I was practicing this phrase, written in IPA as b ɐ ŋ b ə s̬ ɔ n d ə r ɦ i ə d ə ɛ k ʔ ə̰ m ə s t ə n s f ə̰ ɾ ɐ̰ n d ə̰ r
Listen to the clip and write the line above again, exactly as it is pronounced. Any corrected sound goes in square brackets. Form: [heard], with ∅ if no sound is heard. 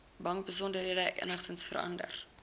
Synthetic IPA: b ɐ ŋ b ə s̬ ɔ n d ə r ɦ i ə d ə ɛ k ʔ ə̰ [n] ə [χ] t ə n s f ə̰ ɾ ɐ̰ n d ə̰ r